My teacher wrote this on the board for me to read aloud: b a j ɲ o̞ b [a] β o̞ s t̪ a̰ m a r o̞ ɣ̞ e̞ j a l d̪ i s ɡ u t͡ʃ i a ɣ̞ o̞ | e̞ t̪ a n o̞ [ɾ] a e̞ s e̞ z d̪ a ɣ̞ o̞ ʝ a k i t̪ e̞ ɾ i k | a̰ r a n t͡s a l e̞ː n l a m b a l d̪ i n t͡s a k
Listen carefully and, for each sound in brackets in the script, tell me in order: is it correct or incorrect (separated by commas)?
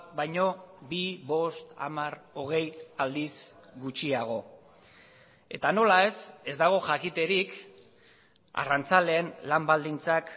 incorrect, incorrect